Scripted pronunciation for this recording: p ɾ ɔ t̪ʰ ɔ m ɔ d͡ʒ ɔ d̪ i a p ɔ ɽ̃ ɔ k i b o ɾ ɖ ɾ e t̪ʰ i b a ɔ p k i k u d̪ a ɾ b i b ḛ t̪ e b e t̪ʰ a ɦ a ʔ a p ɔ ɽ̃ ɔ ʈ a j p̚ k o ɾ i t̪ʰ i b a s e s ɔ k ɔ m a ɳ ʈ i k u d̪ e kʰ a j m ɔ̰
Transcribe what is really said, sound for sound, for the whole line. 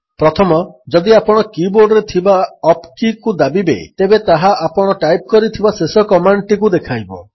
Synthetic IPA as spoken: p ɾ ɔ t̪ʰ ɔ m ɔ d͡ʒ ɔ d̪ i a p ɔ ɽ̃ ɔ k i b o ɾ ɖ ɾ e t̪ʰ i b a ɔ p k i k u d̪ a b i b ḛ t̪ e b e t̪ a ɦ a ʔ a p ɔ ɽ̃ ɔ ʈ a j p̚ k ɔ ɾ i t̪ʰ i b a s e s ɔ k ɔ m a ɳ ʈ i k u d̪ e kʰ a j b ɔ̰